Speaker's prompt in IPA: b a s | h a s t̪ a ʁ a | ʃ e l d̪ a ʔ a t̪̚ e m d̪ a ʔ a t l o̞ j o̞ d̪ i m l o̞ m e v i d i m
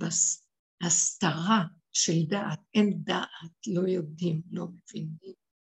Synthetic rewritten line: b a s | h a s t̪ a ʁ a | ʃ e l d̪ a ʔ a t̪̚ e m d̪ a ʔ a t l o̞ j o̞ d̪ i m l o̞ m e v i n i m